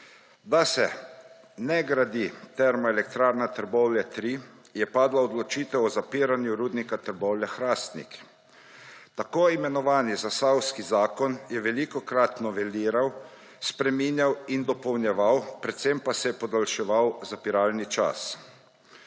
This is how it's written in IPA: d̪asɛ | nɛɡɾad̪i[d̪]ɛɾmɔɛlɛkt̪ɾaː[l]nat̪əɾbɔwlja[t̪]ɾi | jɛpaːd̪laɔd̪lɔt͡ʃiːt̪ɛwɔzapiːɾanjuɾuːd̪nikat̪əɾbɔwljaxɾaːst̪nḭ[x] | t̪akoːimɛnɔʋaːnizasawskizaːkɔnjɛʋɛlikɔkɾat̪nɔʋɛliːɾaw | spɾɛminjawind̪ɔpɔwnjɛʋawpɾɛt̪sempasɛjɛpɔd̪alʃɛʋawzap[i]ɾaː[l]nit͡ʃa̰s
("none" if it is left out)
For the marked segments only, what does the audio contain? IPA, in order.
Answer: t̪, ɾ, t̪, k, i, l

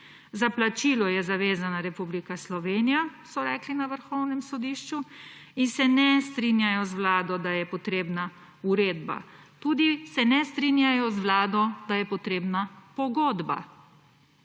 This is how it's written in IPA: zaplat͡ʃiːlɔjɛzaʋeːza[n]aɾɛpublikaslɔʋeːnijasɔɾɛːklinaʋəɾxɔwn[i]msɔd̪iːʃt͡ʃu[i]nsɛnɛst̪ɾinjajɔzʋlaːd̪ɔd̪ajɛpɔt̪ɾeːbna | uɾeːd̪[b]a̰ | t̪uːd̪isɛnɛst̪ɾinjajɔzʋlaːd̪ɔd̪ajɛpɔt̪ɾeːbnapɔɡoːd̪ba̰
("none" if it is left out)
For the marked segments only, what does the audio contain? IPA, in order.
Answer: n, ɛ, i, b

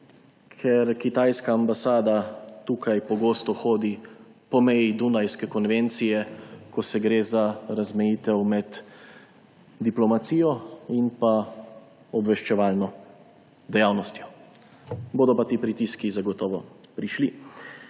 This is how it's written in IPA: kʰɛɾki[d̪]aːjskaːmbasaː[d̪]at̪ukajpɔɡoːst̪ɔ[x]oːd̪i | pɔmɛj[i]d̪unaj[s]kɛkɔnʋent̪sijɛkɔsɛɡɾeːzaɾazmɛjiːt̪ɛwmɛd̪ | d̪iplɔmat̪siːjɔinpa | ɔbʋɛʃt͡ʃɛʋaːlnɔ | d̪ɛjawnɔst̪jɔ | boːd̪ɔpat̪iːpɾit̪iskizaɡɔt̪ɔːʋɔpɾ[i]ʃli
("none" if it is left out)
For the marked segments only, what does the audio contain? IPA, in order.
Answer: t̪, d̪, x, i, s, i

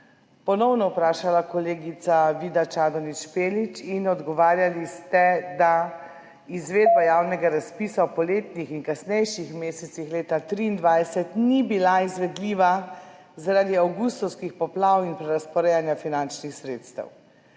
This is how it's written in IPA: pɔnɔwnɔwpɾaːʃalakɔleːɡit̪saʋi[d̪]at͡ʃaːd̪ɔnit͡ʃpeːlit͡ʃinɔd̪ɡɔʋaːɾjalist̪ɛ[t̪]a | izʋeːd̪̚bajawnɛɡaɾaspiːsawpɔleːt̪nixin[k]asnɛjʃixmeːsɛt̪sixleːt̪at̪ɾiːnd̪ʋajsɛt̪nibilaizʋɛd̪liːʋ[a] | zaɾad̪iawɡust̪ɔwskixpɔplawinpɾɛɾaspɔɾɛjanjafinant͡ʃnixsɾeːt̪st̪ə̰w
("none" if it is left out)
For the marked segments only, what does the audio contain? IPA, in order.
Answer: d̪, d̪, k, a

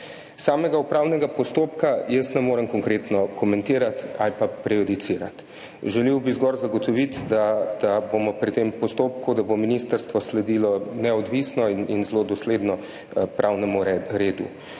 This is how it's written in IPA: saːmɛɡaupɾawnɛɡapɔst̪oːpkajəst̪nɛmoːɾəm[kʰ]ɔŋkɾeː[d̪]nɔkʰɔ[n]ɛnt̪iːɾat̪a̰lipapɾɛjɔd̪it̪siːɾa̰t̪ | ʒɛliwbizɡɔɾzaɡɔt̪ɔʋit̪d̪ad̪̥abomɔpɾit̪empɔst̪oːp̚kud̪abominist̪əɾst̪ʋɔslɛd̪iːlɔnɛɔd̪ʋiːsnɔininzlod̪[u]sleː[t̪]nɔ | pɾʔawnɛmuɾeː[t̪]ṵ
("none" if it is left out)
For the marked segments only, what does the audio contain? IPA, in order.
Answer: k, t̪, m, ɔ, d̪, d̪

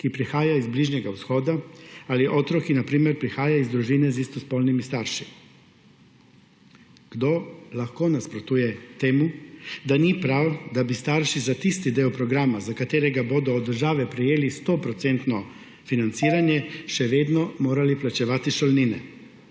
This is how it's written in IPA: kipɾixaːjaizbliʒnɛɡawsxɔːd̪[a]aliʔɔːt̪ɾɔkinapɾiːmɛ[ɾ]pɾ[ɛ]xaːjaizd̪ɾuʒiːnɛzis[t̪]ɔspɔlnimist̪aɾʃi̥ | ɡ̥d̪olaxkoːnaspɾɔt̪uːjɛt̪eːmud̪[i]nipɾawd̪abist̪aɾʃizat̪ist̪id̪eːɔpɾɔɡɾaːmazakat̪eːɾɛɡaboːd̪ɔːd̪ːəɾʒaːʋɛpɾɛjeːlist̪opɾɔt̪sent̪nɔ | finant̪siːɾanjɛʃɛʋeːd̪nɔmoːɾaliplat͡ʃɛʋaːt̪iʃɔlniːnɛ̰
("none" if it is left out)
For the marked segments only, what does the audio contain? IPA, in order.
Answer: a, ɾ, i, t̪, a

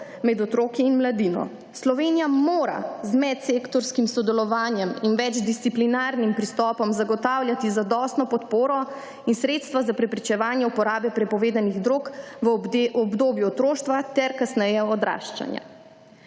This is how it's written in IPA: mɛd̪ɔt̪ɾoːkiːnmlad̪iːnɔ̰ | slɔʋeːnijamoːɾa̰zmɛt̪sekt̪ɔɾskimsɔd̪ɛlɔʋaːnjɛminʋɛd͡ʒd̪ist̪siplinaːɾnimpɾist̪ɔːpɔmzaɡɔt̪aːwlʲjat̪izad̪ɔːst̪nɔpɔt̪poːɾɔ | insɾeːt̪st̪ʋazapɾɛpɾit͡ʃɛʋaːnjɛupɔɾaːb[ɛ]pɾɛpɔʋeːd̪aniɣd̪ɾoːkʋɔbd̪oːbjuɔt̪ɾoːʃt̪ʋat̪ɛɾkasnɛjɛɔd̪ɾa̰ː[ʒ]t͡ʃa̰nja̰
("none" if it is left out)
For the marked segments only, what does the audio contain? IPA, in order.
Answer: ɛ, ʃ

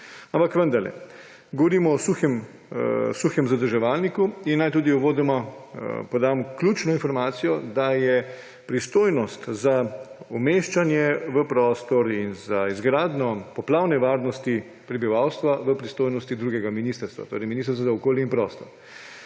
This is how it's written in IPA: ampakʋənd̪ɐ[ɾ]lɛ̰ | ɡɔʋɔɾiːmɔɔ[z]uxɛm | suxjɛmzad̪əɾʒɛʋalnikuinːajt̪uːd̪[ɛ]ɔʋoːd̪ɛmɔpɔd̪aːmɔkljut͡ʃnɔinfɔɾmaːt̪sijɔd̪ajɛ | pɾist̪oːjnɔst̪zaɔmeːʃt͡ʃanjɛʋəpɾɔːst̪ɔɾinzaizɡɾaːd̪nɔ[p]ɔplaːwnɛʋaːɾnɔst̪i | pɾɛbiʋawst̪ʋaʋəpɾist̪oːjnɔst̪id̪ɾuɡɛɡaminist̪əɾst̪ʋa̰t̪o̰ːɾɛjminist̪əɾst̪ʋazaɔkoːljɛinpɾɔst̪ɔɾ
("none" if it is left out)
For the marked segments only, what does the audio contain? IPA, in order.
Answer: ɾ, s, i, p

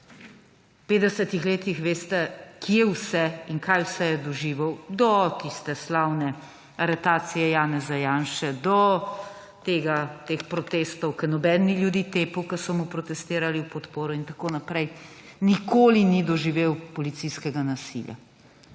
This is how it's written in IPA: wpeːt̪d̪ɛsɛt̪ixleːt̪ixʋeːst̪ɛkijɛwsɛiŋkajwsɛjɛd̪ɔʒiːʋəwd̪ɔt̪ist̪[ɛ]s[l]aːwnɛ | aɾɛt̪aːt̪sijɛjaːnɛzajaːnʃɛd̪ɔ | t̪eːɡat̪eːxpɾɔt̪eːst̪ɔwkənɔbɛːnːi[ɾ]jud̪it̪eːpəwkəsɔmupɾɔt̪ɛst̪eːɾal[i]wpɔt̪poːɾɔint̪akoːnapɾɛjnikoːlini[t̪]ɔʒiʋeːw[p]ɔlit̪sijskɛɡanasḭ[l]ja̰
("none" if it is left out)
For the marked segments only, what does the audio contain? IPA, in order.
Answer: ɛ, l, l, i, d̪, p, l

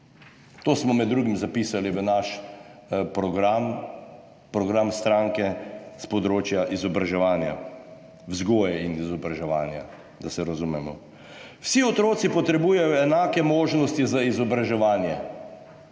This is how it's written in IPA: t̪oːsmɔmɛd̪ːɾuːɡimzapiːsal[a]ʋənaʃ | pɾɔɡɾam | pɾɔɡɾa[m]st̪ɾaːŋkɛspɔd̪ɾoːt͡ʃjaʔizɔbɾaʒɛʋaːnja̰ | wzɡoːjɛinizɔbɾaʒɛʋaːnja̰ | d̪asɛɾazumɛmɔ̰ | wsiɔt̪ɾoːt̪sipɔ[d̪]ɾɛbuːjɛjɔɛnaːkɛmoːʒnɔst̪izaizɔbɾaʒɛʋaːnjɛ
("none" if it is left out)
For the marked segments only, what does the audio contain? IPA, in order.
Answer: i, m, t̪

